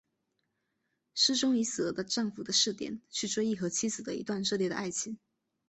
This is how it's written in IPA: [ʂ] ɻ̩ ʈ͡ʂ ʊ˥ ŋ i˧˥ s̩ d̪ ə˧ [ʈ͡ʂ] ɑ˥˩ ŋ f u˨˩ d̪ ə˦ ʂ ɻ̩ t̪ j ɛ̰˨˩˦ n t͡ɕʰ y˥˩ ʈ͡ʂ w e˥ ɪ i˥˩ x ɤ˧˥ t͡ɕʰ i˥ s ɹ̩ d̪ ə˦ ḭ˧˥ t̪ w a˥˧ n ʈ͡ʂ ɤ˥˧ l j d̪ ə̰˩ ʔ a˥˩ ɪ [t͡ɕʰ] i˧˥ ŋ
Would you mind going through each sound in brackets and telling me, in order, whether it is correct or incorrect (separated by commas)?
correct, correct, correct